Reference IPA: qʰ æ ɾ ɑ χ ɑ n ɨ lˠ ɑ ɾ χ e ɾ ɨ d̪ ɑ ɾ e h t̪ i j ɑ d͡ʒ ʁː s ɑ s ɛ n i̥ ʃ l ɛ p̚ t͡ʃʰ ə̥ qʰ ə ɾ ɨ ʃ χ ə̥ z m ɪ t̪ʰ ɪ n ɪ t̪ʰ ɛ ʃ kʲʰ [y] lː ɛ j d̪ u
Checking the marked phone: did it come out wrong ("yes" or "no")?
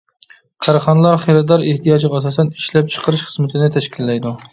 yes